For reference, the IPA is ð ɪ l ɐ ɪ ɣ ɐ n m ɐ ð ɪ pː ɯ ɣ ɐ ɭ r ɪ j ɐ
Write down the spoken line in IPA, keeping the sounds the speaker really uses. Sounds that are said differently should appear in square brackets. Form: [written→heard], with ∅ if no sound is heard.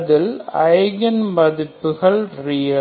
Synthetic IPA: ð ɪ l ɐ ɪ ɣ ɐ n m ɐ ð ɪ pː ɯ ɣ ɐ ɭ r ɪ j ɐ